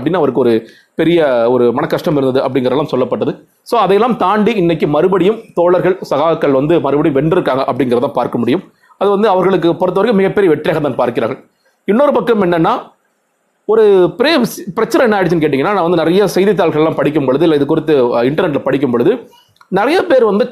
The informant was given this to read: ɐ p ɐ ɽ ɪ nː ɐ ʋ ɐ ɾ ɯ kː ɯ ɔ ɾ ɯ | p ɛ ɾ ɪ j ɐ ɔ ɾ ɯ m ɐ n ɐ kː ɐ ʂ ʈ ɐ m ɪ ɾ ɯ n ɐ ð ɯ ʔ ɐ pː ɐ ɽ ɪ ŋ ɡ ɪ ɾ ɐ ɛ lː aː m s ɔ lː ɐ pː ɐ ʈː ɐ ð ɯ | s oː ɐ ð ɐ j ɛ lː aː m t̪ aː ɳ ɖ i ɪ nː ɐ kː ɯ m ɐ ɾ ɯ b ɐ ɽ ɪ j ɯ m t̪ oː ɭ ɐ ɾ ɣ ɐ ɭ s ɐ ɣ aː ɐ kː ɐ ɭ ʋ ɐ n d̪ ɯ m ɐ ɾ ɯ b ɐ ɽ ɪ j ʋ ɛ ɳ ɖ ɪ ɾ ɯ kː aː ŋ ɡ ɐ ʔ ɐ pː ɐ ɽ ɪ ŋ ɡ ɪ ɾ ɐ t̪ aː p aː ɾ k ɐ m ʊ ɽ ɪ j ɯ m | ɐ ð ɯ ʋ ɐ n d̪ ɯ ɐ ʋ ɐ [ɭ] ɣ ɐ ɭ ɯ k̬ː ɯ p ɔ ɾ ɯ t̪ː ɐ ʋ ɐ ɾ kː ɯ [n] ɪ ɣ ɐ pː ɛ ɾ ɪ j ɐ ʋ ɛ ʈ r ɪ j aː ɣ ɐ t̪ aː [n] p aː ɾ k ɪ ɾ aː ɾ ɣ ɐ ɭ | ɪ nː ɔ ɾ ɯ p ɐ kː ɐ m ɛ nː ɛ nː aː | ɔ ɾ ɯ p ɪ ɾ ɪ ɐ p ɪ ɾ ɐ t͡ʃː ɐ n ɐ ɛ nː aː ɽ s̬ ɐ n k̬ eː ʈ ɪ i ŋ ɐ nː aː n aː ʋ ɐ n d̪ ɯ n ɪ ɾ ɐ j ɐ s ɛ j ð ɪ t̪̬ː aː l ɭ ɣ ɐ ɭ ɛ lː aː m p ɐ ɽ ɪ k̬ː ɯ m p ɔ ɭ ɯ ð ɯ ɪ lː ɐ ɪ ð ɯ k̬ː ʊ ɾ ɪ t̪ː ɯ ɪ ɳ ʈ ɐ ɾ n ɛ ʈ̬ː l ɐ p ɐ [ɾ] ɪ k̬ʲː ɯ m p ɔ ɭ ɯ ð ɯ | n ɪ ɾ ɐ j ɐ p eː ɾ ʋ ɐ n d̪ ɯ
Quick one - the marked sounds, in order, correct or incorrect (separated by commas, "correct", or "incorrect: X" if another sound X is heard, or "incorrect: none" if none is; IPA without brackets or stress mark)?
incorrect: ɾ, incorrect: m, correct, incorrect: ɽ